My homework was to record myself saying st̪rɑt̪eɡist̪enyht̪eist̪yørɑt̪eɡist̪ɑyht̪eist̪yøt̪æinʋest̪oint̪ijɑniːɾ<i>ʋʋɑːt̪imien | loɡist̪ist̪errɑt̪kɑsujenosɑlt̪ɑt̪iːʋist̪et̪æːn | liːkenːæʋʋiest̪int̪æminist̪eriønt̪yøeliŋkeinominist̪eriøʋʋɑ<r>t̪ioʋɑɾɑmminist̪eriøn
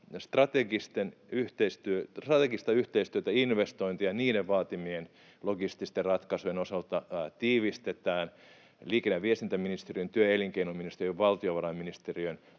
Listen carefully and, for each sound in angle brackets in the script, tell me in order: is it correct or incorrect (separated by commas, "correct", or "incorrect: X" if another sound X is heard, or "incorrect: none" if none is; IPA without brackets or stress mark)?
incorrect: e, incorrect: l